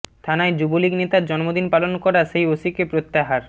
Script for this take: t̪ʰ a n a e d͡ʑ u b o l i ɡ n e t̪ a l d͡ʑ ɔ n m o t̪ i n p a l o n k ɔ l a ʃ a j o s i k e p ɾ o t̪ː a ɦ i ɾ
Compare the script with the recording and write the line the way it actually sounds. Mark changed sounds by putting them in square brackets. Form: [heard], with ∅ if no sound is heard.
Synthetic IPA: t̪ʰ a n a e d͡ʑ u b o l i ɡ n e t̪ a [ɾ] d͡ʑ ɔ n m o [d̪] i n p a l o n k ɔ [ɾ] a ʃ [e] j o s i k e p ɾ o t̪ː a ɦ [a] ɾ